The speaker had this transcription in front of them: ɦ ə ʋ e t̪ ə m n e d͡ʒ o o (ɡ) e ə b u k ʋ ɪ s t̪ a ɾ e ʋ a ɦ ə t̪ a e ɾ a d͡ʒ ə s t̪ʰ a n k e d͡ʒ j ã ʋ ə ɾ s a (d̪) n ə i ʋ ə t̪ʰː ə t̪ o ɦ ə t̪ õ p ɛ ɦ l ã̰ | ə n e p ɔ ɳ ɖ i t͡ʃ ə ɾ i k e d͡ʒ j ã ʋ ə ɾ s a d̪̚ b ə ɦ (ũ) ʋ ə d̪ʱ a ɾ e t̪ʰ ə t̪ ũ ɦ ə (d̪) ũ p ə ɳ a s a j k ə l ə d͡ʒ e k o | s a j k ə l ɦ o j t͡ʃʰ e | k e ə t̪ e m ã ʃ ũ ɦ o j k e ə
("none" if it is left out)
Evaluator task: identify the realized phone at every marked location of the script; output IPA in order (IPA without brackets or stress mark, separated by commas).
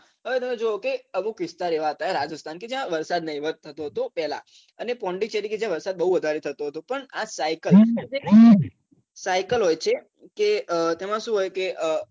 k, d̪, u, t̪